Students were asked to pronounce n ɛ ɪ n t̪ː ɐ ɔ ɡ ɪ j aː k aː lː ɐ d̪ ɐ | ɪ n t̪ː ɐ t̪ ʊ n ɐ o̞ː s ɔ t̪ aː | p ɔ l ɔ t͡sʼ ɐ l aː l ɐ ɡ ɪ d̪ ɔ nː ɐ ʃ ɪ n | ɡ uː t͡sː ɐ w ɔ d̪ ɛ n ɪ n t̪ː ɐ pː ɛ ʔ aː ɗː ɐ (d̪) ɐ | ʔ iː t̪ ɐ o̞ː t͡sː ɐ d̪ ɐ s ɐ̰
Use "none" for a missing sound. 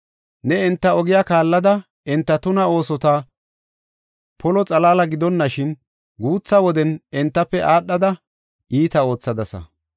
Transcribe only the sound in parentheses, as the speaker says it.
d̪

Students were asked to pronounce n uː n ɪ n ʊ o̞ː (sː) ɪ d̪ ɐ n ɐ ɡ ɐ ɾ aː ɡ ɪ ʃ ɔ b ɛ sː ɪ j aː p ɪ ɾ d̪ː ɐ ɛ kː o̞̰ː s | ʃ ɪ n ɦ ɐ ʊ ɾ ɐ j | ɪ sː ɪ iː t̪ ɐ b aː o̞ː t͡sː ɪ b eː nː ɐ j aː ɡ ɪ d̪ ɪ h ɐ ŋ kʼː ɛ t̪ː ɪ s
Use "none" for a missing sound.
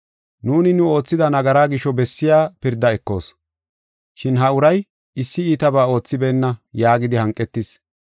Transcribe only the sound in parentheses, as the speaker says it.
t͡sː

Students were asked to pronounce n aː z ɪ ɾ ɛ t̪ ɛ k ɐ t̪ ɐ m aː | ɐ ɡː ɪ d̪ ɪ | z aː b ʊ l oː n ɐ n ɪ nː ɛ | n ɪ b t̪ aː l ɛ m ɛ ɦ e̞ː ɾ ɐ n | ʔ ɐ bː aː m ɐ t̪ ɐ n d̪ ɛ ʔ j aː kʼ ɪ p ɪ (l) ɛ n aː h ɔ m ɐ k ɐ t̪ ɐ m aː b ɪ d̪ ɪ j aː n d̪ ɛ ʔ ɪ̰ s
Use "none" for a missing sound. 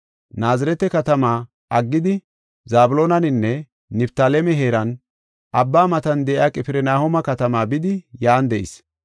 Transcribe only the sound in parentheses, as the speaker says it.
ɾ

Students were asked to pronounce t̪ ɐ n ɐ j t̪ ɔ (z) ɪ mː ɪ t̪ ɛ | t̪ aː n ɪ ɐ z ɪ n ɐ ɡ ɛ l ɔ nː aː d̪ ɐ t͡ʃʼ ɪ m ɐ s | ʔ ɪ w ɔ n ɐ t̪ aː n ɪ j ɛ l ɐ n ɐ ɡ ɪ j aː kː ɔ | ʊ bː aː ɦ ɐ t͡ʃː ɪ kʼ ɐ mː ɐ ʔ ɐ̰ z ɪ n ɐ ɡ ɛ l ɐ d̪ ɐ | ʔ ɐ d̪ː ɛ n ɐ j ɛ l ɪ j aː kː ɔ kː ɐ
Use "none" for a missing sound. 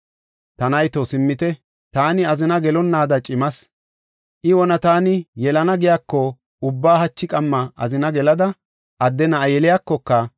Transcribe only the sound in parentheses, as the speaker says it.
s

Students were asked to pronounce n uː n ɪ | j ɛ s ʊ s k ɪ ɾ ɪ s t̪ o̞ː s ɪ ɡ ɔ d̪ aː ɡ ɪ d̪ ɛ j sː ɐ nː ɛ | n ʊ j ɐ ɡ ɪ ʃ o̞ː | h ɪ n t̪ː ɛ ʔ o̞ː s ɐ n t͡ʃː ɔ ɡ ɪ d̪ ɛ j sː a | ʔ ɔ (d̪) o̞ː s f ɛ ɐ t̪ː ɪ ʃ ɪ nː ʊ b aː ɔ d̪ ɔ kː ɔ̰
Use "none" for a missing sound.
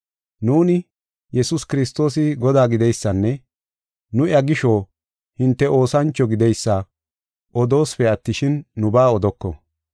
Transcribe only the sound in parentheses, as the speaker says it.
d̪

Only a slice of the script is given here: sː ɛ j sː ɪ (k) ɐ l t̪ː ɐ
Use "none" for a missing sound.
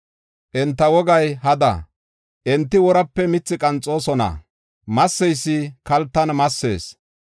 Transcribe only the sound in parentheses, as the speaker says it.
k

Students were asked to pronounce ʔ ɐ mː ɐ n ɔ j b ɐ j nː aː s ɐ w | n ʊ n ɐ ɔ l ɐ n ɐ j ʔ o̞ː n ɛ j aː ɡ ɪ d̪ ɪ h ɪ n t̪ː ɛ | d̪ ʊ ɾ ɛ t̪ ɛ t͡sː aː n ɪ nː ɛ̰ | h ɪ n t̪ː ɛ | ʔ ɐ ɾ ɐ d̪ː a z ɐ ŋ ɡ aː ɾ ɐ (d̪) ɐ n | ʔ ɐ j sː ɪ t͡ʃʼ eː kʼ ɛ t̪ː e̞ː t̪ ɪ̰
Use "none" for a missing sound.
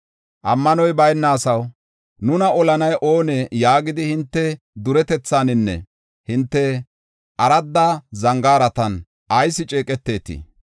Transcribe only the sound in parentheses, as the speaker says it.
t̪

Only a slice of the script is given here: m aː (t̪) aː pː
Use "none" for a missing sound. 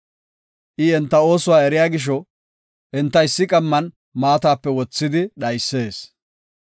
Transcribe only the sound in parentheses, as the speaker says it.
t̪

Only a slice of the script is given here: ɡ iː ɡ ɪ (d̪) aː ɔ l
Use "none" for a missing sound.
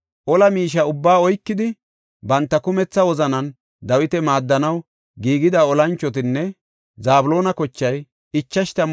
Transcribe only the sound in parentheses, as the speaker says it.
d̪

